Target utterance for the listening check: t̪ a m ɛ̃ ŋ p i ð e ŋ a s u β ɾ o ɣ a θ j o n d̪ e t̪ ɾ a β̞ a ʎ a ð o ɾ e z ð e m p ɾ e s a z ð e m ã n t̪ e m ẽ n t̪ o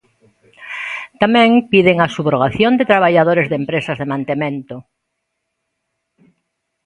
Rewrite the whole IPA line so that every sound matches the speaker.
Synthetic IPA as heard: t̪ a m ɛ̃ ŋ p i ð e ŋ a s u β ɾ o ɣ a θ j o n d̪ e t̪ ɾ a β̞ a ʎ a ð o ɾ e z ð e m p ɾ e s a z ð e m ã n t̪ e m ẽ n t̪ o